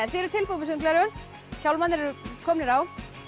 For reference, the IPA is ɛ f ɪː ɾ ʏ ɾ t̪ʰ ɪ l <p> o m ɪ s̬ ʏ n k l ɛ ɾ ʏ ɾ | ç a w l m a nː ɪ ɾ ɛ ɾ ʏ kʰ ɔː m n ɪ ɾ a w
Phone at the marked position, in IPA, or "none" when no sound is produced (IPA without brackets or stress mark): p